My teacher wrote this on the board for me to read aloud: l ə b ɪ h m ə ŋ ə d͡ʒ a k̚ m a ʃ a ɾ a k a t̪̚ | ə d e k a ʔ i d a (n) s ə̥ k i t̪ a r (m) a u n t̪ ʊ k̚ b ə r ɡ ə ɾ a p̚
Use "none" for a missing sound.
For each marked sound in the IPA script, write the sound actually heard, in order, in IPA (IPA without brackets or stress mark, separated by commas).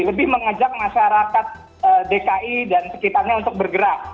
n, ɲ